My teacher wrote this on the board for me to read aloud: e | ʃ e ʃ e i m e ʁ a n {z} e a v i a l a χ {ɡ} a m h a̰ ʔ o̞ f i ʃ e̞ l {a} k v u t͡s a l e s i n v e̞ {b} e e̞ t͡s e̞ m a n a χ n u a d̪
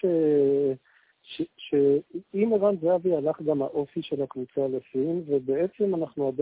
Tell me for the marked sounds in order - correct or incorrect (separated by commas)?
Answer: correct, correct, correct, correct